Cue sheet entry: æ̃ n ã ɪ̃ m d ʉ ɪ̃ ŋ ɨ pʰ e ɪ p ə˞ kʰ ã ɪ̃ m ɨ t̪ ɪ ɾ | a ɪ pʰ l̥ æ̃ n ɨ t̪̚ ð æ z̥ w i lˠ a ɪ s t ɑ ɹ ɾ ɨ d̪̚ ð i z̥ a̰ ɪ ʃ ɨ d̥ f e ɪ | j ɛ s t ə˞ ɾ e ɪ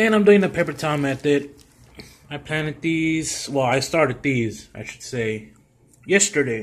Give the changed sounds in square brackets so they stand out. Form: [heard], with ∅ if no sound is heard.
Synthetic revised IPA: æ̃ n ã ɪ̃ m d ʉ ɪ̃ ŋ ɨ pʰ e ɪ p ə˞ [tʰ] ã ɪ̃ m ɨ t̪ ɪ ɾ | a ɪ pʰ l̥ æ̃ n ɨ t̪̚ ð [i] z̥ w [ɛ] lˠ a ɪ s t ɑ ɹ ɾ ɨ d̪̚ ð i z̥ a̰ ɪ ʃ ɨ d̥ [s] e ɪ | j ɛ s t ə˞ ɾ e ɪ